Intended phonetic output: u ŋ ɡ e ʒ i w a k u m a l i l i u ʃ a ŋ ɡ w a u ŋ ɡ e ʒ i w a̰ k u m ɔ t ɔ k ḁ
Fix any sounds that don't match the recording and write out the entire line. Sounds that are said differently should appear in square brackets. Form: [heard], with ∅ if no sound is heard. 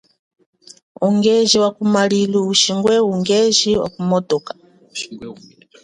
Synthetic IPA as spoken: u ŋ ɡ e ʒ i w a k u m a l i l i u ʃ [i] ŋ ɡ w [ɛ] u ŋ ɡ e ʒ i w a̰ k u m ɔ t ɔ k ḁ